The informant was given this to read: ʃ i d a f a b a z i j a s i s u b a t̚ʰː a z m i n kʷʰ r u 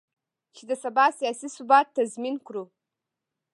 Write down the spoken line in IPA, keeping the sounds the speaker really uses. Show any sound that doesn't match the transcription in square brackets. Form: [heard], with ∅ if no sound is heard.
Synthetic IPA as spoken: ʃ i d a [s] a b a [s] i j a s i s u b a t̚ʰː a z m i n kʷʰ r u

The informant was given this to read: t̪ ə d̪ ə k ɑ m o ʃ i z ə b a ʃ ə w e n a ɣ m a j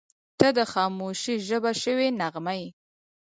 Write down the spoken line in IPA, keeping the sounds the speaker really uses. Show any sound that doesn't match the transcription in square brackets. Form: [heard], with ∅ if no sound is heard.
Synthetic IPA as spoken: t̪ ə d̪ ə [x] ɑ m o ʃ i [ʒ] ə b a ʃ ə w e n a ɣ m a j

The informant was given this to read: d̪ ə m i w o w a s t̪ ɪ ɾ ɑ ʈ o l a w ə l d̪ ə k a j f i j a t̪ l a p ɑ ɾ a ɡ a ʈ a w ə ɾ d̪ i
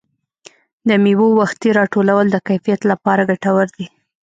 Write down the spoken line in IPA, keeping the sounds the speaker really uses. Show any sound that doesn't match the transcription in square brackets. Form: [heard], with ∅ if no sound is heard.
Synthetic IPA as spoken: d̪ ə m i w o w a [x] t̪ [i] ɾ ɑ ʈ o l a w ə l d̪ ə k a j f i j a t̪ l a p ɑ ɾ a ɡ a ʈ a w ə ɾ d̪ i

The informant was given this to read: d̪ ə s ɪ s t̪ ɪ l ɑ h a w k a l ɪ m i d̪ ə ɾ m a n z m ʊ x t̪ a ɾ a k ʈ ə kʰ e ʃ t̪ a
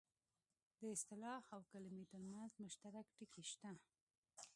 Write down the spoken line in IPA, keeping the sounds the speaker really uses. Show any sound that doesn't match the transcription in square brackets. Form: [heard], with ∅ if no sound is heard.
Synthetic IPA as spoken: d̪ ə [∅] ɪ s t̪ ɪ l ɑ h a w k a l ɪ m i [t̪] ə ɾ m a n z m ʊ [ʃ] t̪ a ɾ a k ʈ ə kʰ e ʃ t̪ a

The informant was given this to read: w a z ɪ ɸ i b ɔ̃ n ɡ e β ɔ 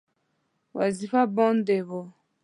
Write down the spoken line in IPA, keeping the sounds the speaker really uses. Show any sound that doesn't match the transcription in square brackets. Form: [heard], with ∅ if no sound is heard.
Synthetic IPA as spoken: w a z [i] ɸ [a] b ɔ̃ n [d] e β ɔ

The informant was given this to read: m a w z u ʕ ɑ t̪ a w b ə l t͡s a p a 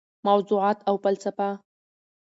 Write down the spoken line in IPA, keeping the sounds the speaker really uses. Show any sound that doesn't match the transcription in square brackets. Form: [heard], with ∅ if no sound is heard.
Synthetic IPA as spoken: m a w z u ʕ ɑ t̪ a w [p] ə l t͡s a p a

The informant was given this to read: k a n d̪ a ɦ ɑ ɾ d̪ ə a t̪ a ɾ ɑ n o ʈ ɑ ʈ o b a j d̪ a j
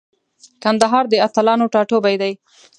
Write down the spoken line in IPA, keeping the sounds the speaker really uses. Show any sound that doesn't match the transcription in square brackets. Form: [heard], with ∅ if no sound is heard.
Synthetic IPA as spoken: k a n d̪ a ɦ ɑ ɾ d̪ ə a t̪ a [l] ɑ n o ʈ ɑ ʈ o b a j d̪ a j

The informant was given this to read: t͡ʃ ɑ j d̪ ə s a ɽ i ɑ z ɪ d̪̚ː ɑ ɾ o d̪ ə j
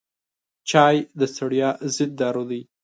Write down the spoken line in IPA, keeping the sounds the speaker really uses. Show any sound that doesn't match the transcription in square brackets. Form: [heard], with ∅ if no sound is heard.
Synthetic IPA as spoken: t͡ʃ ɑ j d̪ ə s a ɽ [j] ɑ z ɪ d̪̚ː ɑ ɾ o d̪ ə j

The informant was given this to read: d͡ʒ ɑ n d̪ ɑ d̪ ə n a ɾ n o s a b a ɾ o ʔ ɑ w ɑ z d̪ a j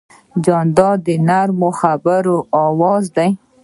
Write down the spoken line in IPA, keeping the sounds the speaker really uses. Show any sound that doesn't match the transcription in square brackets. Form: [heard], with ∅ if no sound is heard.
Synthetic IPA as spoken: d͡ʒ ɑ n d̪ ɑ d̪ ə n a ɾ [m] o [x] a b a ɾ o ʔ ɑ w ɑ z d̪ a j

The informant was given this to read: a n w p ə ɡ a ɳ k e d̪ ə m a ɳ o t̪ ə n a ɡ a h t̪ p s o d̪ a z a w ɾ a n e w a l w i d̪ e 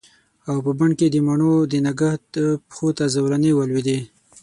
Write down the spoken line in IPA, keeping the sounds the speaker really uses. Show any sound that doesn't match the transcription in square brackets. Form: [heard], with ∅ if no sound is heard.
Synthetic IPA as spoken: a [∅] w p ə [b] a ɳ k e d̪ ə m a ɳ o [d̪] ə n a ɡ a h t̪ p [x] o [t̪] a z a w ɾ a n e w a l w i d̪ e

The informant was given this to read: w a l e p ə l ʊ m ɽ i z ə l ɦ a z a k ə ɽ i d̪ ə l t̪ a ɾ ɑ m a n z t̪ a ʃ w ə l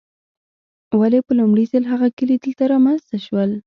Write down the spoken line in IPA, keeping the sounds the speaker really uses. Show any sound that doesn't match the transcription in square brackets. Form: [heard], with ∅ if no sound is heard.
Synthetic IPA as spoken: w a l e p ə l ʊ m ɽ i z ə l ɦ a [ɣ] a k ə [l] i d̪ ə l t̪ a ɾ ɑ m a n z t̪ a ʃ w ə l

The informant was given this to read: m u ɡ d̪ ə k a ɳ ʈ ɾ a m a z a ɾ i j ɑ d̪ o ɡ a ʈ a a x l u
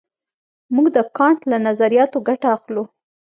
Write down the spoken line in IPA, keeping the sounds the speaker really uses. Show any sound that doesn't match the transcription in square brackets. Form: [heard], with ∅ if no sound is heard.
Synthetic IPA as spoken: m u ɡ d̪ ə k [ɑ] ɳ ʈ [l] a [n] a z a ɾ i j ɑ [t̪] o ɡ a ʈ a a x l u

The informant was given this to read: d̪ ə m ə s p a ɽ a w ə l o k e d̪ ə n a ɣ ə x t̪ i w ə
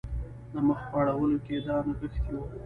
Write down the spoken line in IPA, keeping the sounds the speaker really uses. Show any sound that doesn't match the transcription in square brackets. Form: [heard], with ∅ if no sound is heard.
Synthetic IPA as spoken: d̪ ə m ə [x] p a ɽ a w ə l o k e d̪ [ɑ] n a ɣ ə x t̪ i w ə

